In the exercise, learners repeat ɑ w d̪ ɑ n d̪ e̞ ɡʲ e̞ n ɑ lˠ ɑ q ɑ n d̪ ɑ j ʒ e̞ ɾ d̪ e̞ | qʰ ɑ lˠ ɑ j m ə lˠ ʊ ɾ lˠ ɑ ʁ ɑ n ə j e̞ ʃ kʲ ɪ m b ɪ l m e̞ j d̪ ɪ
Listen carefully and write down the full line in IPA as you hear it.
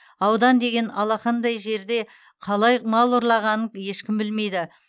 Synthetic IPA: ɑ w d̪ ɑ n d̪ e̞ ɡʲ e̞ n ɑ lˠ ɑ q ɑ n d̪ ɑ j ʒ e̞ ɾ d̪ e̞ | qʰ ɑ lˠ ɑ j m ɑ lˠ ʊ ɾ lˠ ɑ ʁ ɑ n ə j e̞ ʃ kʲ ɪ m b ɪ l m e̞ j d̪ ɪ